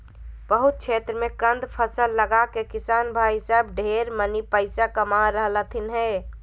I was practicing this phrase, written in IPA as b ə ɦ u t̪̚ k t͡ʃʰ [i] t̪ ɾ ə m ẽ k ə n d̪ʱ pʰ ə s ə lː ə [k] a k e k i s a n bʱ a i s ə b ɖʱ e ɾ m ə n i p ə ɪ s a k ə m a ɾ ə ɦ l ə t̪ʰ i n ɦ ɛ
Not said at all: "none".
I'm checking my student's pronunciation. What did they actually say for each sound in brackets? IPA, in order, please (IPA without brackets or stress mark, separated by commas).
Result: e, ɡ